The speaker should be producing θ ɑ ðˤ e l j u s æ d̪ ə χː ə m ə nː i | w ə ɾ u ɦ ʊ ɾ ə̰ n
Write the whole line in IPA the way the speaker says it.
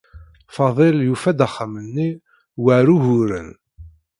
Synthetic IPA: f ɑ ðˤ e l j u f æ d̪ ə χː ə m ə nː i | w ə ɾ u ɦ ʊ ɾ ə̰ n